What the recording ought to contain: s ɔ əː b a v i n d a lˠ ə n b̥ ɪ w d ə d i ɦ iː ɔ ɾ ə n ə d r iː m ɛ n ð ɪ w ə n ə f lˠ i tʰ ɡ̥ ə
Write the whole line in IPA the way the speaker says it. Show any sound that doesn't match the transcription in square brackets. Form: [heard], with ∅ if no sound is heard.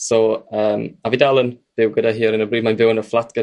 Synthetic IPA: s ɔ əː [m] a v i [∅] d a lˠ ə n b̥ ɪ w [ɡ] ə d [a] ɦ iː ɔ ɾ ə n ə [b] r iː m [a] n [v] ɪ w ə n ə f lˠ [a] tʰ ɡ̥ ə

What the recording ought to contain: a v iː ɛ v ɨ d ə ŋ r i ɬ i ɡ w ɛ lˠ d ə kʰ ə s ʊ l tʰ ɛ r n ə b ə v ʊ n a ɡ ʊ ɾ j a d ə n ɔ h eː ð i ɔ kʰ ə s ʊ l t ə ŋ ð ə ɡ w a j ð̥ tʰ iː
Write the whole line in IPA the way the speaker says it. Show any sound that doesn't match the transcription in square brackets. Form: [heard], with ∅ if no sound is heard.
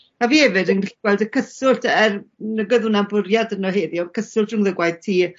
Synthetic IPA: a v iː ɛ v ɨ d ə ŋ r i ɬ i ɡ w ɛ lˠ d ə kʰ ə s ʊ l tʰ ɛ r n ə [ɡ] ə [ð] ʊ n a [b] ʊ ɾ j a d ə n ɔ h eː ð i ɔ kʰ ə s ʊ l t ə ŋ ð ə ɡ w a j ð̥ tʰ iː

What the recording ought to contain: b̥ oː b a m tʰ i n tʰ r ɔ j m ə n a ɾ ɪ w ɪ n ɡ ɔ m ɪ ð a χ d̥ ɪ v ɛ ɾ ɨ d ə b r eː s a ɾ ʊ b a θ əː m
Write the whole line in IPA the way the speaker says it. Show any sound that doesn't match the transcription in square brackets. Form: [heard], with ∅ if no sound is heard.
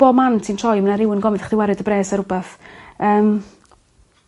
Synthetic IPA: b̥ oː [m] a [n] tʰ i n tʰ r ɔ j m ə n a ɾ ɪ w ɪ n ɡ ɔ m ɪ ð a χ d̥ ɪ [w] ɛ ɾ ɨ d ə b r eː s a ɾ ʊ b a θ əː m

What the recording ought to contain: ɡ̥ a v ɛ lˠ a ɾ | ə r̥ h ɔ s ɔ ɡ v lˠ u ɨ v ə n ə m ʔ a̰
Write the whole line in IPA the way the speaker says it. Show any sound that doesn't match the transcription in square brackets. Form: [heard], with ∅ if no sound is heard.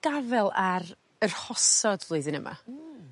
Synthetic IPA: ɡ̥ a v ɛ lˠ a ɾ | ə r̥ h ɔ s ɔ [d] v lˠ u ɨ [ð] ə n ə m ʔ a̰

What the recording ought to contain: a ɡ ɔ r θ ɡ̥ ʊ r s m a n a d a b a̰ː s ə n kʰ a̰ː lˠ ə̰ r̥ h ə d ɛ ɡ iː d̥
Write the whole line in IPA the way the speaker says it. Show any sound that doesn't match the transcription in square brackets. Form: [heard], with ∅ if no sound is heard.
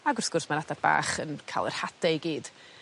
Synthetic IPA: a ɡ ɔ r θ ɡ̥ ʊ r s m a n a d a b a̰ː [χ] ə n kʰ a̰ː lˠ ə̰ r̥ h [a] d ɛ ɡ iː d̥

